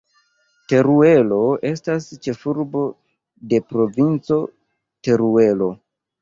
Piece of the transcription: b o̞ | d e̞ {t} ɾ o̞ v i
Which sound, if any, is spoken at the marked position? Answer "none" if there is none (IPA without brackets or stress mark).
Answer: p